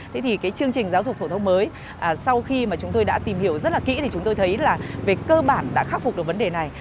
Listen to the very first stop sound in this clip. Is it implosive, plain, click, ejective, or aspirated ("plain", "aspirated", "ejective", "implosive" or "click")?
aspirated